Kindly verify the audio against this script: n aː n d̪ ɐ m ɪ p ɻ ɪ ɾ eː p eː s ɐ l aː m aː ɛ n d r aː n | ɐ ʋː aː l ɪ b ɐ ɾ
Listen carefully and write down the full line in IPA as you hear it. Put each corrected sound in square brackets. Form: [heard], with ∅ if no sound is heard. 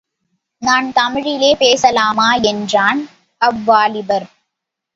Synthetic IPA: n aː n [t̪] ɐ m ɪ [∅] ɻ ɪ [l] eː p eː s ɐ l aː m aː ɛ n d r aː n | ɐ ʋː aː l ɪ b ɐ ɾ

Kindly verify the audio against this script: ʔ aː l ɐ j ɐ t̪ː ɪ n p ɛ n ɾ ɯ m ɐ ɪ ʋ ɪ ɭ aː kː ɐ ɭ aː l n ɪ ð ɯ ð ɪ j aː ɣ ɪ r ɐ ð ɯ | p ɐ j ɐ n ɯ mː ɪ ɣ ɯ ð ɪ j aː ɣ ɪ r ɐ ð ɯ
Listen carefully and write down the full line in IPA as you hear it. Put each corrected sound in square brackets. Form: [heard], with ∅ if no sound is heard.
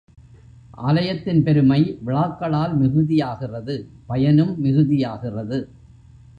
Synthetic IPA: ʔ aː l ɐ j ɐ t̪ː ɪ n p ɛ [∅] ɾ ɯ m ɐ ɪ ʋ ɪ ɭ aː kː ɐ ɭ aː l [m] ɪ [ɣ] ɯ ð ɪ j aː ɣ ɪ r ɐ ð ɯ | p ɐ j ɐ n ɯ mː ɪ ɣ ɯ ð ɪ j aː ɣ ɪ r ɐ ð ɯ

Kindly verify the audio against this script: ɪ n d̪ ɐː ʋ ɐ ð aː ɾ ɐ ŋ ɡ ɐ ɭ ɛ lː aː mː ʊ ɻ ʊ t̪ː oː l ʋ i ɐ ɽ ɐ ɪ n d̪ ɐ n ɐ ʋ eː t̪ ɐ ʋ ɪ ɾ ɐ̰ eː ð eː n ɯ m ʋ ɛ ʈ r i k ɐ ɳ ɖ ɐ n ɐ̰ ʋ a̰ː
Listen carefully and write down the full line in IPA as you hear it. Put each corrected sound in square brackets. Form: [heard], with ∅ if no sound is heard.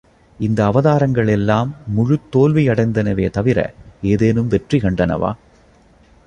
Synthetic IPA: ɪ n d̪ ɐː ʋ ɐ ð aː ɾ ɐ ŋ ɡ ɐ ɭ ɛ lː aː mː ʊ ɻ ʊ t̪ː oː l ʋ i ɐ ɽ ɐ ɪ n d̪ ɐ n ɐ ʋ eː t̪ ɐ ʋ ɪ ɾ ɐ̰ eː ð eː n ɯ m ʋ ɛ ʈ r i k ɐ ɳ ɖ ɐ n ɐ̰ ʋ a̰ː

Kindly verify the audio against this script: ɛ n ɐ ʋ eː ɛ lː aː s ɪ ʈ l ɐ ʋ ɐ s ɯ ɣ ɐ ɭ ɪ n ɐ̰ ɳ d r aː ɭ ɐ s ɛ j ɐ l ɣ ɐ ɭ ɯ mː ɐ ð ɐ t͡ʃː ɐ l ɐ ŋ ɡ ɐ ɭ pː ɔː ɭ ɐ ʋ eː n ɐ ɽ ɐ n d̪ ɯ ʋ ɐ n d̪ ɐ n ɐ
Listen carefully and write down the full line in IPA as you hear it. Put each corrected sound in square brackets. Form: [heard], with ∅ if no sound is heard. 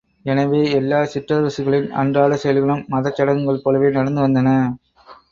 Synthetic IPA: ɛ n ɐ ʋ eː ɛ lː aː s ɪ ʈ [r] ɐ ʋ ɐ s ɯ ɣ ɐ ɭ ɪ n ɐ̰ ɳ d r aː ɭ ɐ s ɛ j ɐ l ɣ ɐ ɭ ɯ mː ɐ ð ɐ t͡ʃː ɐ [ɽ] ɐ ŋ ɡ ɐ ɭ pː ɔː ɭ ɐ ʋ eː n ɐ ɽ ɐ n d̪ ɯ ʋ ɐ n d̪ ɐ n ɐ

